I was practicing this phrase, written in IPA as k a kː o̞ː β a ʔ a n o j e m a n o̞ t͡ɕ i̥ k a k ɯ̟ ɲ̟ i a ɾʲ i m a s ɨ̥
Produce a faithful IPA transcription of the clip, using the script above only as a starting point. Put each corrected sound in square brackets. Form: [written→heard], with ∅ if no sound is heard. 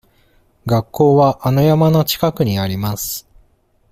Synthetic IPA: [k→ɡ] a kː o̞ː β a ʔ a n o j [e→a] m a n o̞ t͡ɕ i̥ k a k ɯ̟ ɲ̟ i a ɾʲ i m a s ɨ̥